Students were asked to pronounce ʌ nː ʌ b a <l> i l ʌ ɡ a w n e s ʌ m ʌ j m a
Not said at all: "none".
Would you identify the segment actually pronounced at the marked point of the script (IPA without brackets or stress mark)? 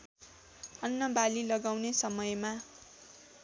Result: l